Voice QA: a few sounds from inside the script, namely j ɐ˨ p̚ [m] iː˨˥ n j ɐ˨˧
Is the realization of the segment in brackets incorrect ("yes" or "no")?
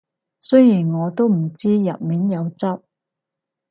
no